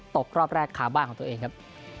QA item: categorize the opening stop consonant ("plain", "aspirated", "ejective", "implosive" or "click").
plain